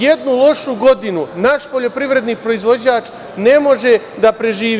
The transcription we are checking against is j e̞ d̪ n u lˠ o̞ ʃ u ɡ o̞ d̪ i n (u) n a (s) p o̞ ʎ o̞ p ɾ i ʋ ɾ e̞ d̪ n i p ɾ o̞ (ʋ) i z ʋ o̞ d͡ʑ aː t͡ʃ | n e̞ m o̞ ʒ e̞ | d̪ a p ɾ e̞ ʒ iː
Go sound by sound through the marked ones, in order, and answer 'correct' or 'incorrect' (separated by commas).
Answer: correct, incorrect, incorrect